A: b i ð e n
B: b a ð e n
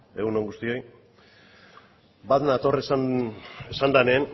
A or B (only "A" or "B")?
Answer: B